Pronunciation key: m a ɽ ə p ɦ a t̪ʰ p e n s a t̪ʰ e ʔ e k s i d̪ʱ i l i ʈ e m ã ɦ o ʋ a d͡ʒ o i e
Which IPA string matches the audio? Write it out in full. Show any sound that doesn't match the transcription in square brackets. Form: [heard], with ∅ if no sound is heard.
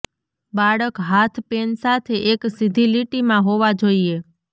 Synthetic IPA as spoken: [b] a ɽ ə [k] ɦ a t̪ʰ p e n s a t̪ʰ e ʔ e k s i d̪ʱ i l i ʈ [i] m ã ɦ o ʋ a d͡ʒ o i e